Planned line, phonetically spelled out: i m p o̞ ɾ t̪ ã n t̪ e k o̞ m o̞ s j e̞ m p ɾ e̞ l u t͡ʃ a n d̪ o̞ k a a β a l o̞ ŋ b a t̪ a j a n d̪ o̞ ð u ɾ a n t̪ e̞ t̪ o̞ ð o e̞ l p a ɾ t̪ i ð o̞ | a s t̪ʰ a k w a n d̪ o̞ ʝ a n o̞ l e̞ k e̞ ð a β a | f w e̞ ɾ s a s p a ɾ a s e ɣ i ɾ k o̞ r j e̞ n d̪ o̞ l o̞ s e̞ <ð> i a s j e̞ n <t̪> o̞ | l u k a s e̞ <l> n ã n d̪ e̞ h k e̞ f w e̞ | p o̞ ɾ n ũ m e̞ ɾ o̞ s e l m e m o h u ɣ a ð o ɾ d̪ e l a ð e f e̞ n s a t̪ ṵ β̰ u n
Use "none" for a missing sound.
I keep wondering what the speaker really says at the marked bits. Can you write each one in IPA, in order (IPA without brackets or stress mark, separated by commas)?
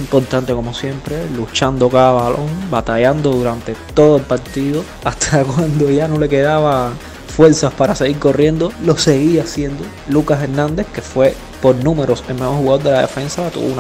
ɣ, d̪, ɾ